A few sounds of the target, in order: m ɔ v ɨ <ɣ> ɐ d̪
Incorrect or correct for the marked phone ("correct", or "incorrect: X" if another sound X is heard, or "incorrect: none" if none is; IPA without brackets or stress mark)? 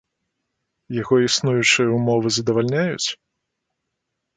incorrect: z